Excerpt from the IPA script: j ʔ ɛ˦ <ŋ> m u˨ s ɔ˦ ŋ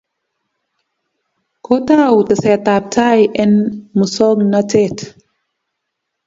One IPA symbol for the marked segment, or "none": n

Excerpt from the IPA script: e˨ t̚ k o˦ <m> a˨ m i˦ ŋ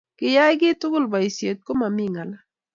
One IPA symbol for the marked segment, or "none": m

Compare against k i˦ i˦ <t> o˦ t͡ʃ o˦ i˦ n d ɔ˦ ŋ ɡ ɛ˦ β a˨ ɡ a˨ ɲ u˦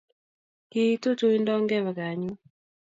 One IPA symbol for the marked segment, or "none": t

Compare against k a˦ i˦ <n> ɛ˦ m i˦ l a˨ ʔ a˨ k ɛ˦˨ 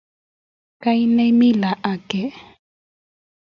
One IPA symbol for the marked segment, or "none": n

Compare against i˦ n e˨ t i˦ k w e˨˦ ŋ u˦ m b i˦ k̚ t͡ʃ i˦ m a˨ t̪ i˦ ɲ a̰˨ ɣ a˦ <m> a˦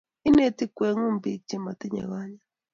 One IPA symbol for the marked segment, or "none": ɲ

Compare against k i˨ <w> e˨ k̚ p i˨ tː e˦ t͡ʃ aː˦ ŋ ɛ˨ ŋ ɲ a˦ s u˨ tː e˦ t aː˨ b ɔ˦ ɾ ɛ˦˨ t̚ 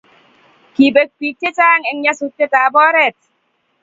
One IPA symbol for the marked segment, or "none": b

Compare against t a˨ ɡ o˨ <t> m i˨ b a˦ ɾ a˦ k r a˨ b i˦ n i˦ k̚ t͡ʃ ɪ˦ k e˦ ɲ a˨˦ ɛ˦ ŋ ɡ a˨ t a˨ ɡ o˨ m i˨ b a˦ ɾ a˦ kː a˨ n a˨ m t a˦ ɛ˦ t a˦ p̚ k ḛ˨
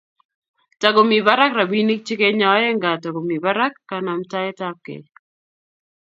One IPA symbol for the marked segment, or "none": none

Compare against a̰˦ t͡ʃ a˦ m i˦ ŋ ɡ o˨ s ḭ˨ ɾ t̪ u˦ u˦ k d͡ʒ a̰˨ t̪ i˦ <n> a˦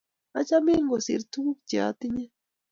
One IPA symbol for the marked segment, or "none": ɲ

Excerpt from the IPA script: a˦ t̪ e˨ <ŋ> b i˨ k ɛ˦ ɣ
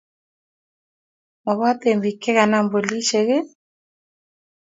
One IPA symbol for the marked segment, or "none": m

